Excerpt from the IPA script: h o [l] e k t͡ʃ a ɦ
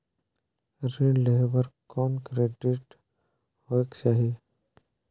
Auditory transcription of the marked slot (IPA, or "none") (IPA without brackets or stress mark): none